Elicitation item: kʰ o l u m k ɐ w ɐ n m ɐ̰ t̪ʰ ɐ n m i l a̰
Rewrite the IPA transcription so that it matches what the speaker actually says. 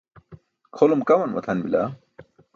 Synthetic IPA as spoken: kʰ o l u m k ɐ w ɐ n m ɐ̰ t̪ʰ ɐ n b i l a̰